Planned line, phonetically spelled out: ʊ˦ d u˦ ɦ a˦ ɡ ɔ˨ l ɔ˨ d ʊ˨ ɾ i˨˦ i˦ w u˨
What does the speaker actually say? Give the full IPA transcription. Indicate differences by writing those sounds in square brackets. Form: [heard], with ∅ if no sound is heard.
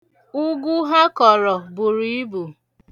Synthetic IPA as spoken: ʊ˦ [ɡ] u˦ ɦ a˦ [k] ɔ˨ [ɾ] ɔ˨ [b] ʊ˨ ɾ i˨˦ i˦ [b] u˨